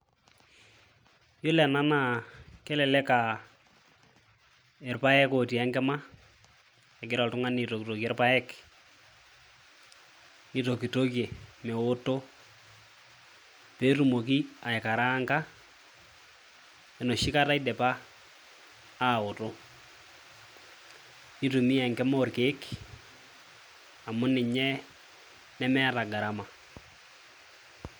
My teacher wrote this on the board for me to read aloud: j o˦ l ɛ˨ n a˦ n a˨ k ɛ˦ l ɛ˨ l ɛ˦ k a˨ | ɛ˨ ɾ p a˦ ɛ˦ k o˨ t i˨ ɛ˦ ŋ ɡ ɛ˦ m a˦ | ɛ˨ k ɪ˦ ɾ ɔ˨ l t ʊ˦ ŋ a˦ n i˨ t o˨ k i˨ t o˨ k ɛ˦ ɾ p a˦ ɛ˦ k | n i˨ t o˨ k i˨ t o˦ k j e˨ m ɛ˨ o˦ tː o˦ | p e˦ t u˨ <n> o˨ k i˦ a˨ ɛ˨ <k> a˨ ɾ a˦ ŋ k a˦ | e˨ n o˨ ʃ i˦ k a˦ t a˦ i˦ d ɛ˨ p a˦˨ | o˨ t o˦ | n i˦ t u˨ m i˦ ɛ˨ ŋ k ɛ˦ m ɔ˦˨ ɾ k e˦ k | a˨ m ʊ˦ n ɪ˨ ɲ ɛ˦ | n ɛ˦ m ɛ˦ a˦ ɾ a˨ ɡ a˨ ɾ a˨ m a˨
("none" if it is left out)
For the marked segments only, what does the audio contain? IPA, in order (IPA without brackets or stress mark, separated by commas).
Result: m, k